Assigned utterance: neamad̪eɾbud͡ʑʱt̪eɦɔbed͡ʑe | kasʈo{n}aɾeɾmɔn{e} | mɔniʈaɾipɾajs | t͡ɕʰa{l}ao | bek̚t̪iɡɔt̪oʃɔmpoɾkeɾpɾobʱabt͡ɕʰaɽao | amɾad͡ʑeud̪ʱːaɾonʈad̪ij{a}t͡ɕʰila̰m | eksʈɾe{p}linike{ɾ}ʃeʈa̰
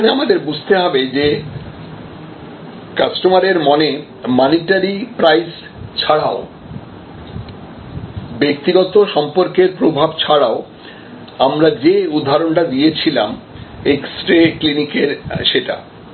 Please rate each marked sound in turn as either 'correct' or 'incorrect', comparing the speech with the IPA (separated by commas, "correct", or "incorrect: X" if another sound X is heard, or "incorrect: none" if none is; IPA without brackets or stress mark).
incorrect: m, correct, incorrect: ɽ, incorrect: e, incorrect: k, correct